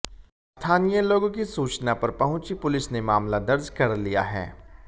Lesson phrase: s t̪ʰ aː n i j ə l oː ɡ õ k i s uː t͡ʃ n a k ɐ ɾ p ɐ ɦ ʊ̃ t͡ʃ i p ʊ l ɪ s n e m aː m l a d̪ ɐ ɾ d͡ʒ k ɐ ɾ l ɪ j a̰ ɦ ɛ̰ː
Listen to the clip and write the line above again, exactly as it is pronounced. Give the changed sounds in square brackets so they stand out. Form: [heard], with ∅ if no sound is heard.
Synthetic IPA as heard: s t̪ʰ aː n i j ə l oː ɡ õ k i s uː t͡ʃ n a [p] ɐ ɾ p ɐ ɦ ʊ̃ t͡ʃ i p ʊ l ɪ s n e m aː m l a d̪ ɐ ɾ d͡ʒ k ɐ ɾ l [i] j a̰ ɦ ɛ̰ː